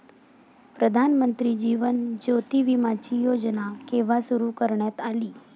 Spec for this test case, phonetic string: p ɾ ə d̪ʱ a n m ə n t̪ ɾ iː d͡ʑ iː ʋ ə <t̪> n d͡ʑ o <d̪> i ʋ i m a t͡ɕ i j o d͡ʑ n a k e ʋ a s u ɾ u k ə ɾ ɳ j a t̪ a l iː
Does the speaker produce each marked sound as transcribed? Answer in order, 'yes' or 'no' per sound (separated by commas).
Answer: no, no